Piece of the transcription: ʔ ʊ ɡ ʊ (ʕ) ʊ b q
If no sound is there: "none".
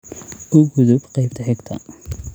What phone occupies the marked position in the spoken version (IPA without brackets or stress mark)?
ð